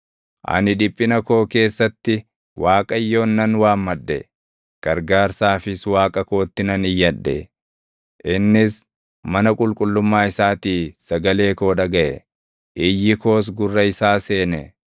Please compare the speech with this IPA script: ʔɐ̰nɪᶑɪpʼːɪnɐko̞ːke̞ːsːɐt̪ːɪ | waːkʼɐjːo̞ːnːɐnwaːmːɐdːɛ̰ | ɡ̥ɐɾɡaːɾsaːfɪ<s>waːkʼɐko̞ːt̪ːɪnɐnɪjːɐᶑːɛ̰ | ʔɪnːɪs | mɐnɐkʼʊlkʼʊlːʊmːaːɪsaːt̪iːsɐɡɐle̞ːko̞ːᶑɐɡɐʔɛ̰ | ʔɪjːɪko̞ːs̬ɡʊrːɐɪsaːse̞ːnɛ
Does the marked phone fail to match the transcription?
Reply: no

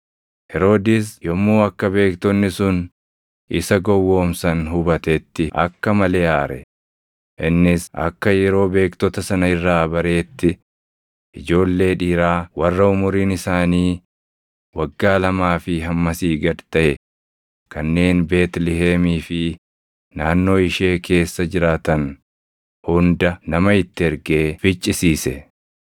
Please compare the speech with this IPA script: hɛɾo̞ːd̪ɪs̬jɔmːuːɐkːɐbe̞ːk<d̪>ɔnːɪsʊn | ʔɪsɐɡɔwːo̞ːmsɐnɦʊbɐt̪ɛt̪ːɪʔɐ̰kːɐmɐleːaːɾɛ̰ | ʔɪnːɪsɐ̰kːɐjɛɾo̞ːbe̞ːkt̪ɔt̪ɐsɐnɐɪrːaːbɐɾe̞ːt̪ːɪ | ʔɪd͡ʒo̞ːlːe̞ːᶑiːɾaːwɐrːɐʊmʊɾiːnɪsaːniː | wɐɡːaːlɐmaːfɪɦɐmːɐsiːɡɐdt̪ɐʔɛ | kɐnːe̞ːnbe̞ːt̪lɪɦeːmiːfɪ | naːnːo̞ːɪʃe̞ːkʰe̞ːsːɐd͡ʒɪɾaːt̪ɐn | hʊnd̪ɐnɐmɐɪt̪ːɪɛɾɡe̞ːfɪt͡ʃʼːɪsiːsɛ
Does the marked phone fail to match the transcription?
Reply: yes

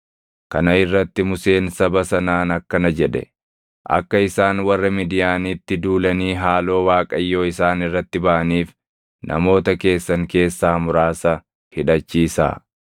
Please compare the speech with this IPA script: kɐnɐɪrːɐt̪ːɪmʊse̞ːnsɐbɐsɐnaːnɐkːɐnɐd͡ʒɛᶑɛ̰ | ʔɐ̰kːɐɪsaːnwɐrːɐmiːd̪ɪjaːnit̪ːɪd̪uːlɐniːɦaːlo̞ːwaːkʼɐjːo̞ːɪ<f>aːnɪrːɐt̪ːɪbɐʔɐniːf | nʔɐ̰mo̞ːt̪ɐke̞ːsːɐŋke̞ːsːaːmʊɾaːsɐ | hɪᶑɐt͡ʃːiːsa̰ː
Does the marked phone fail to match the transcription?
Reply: yes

